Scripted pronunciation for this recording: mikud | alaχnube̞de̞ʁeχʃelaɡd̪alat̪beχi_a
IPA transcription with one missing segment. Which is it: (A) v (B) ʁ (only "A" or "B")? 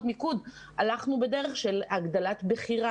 B